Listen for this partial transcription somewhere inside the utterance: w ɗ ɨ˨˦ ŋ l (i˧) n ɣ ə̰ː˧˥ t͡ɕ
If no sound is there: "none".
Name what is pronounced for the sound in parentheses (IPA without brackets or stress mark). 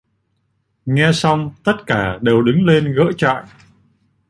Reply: e˧